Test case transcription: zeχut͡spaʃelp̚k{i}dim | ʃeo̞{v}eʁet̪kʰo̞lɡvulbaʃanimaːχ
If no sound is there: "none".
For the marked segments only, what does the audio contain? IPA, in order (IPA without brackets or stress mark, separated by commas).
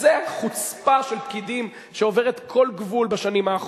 i, v